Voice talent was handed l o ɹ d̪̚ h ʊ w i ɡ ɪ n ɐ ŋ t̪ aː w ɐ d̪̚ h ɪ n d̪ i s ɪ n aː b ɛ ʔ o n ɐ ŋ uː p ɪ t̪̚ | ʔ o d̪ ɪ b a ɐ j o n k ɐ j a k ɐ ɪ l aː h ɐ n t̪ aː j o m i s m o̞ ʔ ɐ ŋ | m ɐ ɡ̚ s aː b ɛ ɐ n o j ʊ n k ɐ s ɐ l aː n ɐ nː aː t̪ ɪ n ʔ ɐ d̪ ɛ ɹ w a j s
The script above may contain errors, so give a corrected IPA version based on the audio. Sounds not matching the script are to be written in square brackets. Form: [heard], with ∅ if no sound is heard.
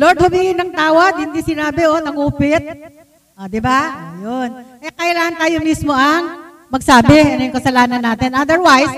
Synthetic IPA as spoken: l o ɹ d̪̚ h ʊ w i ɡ ɪ n ɐ ŋ t̪ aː w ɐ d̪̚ h ɪ n d̪ i s ɪ n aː b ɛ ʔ o n ɐ ŋ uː p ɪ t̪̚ | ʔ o d̪ ɪ b a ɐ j o n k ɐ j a k ɐ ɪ l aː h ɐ n t̪ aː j o m i s m o̞ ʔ ɐ ŋ | m ɐ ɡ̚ s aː b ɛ ɐ n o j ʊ [ŋ] k ɐ s ɐ l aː n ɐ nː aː t̪ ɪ n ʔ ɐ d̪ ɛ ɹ w a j s